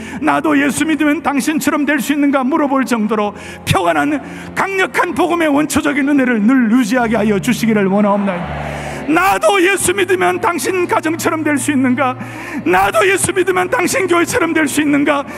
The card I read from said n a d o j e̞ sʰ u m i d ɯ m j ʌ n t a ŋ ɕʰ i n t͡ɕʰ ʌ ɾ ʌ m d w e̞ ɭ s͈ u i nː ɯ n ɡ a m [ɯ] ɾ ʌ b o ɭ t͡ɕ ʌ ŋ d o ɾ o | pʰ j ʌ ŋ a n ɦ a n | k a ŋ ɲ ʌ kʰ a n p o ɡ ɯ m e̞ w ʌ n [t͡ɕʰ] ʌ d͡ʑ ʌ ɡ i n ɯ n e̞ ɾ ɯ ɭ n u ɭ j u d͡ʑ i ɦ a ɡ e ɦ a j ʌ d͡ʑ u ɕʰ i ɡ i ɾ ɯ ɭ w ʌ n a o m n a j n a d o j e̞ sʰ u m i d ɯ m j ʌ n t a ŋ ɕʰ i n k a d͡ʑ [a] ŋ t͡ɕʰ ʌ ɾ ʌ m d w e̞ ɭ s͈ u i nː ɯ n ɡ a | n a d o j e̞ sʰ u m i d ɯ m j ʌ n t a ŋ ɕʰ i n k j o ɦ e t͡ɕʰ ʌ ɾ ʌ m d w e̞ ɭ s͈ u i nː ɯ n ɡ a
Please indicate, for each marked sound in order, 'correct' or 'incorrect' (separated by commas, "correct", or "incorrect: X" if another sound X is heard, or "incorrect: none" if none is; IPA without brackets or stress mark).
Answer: incorrect: u, correct, incorrect: ʌ